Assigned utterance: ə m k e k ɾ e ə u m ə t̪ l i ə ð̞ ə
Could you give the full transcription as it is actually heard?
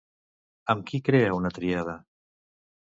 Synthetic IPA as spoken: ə m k i k ɾ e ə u n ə t̪ ɾ i a ð̞ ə